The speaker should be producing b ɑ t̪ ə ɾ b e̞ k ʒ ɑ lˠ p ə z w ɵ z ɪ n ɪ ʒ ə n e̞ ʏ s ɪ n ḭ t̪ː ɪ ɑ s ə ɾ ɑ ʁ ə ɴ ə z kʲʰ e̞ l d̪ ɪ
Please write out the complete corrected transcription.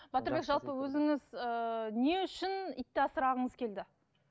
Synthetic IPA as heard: b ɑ t̪ ə ɾ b e̞ k ʒ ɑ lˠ p ə w ɵ z ɪ ŋ ɪ z ə n e̞ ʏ ʃ ɪ n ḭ t̪ː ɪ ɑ s ə ɾ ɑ ʁ ə ɴ ə z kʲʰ e̞ l d̪ ɪ